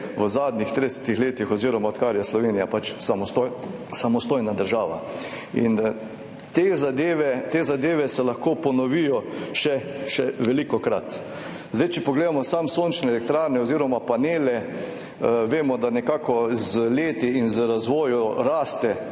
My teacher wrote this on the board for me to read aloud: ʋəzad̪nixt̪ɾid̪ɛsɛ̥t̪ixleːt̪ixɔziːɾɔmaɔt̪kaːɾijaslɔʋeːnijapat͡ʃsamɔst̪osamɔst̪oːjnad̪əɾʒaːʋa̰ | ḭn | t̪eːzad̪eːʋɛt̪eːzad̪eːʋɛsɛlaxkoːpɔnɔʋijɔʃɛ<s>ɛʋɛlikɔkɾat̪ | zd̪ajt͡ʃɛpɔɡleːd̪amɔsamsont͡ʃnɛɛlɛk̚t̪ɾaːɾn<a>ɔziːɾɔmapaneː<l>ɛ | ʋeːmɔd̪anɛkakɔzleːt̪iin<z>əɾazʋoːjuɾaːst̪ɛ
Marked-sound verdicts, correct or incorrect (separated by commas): incorrect, incorrect, correct, correct